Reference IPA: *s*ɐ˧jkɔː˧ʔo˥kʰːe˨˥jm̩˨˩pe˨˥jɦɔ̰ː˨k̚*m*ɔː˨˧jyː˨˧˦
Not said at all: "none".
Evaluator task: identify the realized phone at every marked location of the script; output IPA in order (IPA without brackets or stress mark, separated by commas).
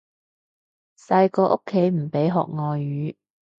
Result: s, ŋ